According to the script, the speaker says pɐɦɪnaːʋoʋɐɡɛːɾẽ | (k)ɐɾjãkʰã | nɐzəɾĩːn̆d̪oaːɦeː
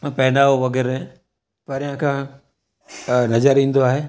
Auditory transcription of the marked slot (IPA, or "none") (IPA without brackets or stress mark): p